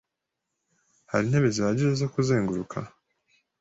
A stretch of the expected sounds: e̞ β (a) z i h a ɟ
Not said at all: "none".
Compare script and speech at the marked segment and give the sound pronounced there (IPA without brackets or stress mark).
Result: e